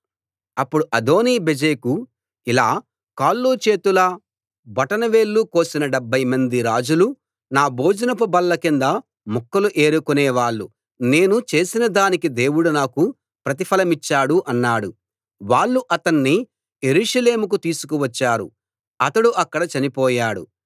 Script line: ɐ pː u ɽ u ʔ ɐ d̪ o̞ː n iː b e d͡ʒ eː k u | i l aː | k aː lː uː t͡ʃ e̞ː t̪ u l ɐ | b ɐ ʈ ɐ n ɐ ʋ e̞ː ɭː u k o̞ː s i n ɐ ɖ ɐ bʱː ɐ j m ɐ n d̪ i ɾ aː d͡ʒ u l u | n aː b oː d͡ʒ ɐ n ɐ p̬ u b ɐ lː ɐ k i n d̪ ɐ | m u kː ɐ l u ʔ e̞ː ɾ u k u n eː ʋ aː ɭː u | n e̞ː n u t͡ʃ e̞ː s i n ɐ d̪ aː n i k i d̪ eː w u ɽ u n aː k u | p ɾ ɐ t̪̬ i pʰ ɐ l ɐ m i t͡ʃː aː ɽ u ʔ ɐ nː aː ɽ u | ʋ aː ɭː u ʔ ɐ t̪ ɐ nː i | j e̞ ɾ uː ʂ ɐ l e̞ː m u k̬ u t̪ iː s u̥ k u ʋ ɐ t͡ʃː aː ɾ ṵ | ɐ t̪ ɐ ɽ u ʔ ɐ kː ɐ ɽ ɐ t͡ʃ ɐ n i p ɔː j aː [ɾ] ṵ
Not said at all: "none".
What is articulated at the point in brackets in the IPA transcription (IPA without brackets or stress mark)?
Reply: ɽ